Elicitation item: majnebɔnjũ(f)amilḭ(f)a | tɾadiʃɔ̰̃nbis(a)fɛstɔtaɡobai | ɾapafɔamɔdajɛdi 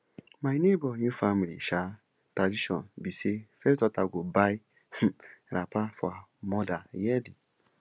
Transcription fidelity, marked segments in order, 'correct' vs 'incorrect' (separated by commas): correct, incorrect, incorrect